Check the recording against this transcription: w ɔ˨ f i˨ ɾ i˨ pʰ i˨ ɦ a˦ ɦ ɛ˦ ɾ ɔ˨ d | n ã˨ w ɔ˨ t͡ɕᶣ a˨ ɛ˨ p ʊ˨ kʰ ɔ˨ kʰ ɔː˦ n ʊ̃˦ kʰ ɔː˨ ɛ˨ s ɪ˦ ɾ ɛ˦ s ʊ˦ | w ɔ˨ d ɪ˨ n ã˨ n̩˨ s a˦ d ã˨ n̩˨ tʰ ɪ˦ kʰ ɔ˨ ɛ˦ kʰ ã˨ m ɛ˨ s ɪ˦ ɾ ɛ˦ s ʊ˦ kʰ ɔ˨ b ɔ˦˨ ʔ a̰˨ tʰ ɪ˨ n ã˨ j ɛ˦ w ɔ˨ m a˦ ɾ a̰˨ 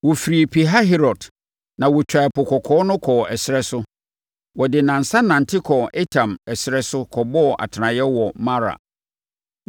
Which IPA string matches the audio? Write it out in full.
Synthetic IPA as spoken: w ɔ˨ f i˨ ɾ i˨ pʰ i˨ ɦ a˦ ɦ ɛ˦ ɾ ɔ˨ d | n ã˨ w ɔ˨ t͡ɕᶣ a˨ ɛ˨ p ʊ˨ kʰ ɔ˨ kʰ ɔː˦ n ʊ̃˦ kʰ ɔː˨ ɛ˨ s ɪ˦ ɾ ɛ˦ s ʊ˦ | w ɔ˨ d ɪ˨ n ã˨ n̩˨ s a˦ n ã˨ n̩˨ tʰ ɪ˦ kʰ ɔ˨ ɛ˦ tʰ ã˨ m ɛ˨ s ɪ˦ ɾ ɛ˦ s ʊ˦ kʰ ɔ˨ b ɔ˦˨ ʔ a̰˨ tʰ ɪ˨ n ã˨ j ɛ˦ w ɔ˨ m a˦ ɾ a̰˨

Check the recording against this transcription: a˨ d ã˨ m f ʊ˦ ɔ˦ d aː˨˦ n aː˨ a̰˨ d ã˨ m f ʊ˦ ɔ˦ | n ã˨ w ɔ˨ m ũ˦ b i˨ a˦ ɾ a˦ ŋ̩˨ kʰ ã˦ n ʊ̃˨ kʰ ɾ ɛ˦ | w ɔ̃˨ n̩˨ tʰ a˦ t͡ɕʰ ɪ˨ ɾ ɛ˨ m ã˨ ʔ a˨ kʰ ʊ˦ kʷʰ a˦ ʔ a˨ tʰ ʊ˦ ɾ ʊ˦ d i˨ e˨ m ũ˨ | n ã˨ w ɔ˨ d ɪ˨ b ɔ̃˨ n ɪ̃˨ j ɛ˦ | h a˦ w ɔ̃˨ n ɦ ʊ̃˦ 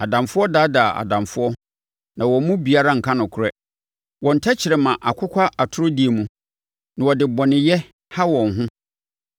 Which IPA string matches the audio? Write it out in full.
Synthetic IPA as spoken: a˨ d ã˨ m f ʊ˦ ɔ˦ d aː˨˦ d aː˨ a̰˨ d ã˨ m f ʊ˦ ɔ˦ | n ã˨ w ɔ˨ m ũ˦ b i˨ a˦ ɾ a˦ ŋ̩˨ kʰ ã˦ n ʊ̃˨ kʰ ɾ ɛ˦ | w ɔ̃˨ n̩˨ tʰ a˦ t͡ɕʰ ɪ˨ ɾ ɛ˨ m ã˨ ʔ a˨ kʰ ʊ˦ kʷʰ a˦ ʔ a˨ tʰ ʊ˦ ɾ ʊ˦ d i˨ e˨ m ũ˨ | n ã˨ w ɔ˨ d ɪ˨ b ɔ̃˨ n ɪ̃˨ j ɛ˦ | h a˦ w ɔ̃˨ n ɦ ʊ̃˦

